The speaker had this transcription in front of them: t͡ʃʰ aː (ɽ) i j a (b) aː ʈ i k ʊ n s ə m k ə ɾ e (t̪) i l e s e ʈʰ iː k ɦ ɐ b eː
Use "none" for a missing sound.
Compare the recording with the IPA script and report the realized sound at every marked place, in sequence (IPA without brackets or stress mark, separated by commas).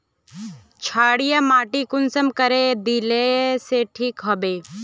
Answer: ɽ, m, d̪